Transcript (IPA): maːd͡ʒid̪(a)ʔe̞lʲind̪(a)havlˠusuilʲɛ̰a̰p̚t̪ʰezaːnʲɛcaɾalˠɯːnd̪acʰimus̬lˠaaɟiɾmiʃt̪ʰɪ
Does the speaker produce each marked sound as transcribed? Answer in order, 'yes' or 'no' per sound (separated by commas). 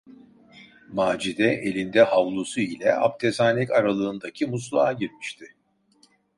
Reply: no, no